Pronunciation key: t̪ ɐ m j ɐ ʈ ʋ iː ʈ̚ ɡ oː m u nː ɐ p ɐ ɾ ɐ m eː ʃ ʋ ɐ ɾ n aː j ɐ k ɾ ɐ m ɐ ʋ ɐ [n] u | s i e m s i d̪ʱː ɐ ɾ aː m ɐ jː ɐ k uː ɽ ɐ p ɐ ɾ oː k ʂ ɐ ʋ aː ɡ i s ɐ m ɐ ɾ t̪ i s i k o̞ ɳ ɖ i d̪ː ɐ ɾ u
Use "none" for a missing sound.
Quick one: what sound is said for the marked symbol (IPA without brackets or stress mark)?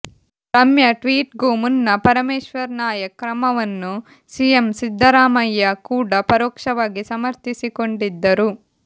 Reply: nː